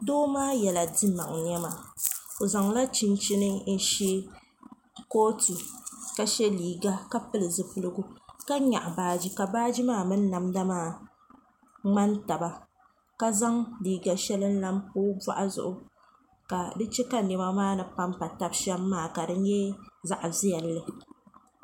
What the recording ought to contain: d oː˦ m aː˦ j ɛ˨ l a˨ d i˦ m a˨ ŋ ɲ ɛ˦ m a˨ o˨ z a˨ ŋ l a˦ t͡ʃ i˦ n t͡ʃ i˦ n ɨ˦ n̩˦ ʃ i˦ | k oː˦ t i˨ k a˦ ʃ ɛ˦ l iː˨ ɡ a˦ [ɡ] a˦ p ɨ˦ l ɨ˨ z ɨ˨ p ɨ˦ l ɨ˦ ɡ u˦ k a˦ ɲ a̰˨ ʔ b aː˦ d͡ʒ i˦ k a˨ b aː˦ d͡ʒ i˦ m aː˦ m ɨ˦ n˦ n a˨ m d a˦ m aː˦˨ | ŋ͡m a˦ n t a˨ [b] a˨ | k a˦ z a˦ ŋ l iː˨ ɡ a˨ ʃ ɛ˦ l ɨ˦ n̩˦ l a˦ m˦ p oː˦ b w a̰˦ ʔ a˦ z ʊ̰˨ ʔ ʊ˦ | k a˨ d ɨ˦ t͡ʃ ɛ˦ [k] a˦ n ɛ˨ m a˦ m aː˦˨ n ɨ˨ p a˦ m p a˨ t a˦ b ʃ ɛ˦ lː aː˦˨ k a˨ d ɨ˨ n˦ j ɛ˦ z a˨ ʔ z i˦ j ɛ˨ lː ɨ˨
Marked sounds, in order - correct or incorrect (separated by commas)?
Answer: incorrect, correct, correct